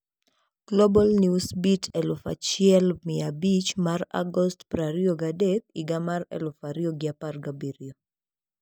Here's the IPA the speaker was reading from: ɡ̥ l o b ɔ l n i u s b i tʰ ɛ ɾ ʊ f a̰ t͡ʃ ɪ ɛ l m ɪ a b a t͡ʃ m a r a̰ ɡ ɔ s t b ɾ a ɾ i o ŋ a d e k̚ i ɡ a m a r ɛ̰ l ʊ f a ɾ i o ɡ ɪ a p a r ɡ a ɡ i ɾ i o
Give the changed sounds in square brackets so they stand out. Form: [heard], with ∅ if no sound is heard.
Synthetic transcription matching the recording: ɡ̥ l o b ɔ l n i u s b i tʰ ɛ [l] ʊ f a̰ t͡ʃ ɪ ɛ l m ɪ a b [i] t͡ʃ m a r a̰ ɡ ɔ s t [p] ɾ a ɾ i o [ɡ] a d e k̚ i ɡ a m a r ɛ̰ l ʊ f a ɾ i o ɡ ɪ a p a r ɡ a [b] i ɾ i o